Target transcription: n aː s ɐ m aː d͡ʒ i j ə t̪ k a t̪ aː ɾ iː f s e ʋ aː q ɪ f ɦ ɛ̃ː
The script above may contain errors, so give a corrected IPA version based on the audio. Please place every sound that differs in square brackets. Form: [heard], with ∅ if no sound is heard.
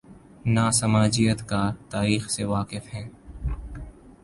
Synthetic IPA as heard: n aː s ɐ m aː d͡ʒ i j ə t̪ k a t̪ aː ɾ iː [x] s e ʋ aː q ɪ f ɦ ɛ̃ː